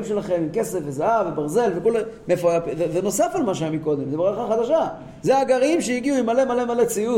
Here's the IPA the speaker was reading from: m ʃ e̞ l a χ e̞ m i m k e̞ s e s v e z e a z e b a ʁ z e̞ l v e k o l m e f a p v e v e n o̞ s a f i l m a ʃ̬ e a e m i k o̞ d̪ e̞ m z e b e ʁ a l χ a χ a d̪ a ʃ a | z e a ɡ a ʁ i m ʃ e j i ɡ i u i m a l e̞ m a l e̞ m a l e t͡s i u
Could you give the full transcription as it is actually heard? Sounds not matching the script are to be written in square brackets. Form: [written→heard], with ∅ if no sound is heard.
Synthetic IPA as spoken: m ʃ e̞ l a χ e̞ m i m k e̞ s e [s→f] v e z [e→a] a [z→v] e b a ʁ z e̞ l v e k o l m e f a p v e v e n o̞ s a f [i→a] l m a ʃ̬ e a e m i k o̞ d̪ e̞ m z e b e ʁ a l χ a χ a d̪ a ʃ a | z e a ɡ a ʁ i m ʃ e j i ɡ i u i m a l e̞ m a l e̞ m a l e t͡s i u